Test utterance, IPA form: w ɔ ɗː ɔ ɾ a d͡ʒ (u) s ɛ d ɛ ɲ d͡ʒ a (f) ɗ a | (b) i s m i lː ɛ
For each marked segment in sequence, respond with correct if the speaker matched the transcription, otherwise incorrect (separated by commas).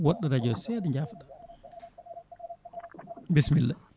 incorrect, correct, correct